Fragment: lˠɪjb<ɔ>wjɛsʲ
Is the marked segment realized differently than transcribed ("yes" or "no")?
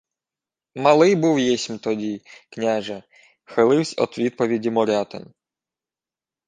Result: yes